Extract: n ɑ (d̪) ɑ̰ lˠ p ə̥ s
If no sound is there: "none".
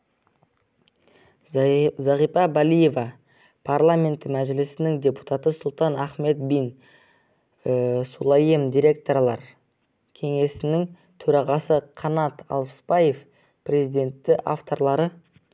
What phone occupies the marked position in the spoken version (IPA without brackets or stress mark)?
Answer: t̪